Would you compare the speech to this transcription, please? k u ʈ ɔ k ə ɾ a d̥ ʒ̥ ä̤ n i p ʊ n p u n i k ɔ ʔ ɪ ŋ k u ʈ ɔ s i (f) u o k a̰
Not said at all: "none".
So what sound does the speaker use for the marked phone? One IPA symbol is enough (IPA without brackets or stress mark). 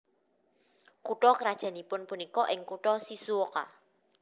s